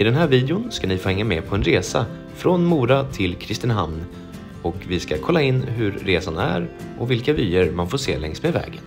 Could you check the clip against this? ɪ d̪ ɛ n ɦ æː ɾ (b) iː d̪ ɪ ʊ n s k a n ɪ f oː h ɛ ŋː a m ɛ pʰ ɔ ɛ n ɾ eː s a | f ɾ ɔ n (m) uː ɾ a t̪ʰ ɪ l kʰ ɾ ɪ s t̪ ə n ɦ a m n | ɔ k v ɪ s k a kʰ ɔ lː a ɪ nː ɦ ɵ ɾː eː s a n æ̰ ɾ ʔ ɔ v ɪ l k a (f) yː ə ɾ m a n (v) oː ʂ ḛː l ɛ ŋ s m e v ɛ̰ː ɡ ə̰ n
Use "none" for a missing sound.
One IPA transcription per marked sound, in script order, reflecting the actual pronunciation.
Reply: v, m, v, f

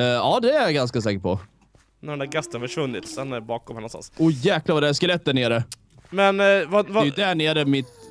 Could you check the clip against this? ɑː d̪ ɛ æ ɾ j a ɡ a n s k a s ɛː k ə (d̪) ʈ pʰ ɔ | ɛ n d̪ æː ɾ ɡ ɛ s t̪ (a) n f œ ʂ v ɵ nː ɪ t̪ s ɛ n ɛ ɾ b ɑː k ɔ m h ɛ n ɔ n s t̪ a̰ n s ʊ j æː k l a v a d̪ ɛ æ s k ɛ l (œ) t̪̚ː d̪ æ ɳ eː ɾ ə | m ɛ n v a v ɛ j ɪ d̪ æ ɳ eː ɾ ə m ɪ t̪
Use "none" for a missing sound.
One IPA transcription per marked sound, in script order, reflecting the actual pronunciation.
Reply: none, ə, ɛ

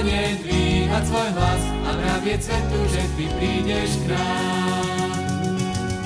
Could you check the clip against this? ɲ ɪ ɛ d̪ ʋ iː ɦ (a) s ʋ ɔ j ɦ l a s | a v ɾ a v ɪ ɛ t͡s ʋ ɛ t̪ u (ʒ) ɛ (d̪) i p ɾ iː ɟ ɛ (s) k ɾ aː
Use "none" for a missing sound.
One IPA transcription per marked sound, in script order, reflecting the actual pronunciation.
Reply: a, ʒ, t̪, ʃ

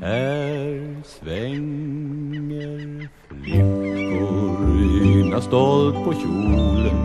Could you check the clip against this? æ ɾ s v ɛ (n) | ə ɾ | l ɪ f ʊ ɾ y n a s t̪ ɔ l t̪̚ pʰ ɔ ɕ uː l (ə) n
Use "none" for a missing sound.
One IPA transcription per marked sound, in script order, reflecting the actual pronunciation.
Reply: ŋ, ə

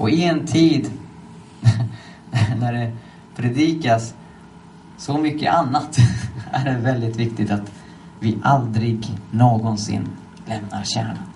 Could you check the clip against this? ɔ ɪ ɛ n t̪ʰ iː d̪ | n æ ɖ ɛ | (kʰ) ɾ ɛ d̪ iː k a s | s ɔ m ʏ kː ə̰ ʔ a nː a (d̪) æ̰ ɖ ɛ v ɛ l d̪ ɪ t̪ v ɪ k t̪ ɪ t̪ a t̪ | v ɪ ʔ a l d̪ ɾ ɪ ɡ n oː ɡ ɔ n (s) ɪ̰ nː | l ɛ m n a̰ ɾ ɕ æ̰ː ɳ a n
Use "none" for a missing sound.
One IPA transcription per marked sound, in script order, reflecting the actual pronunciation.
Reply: pʰ, t̪, s

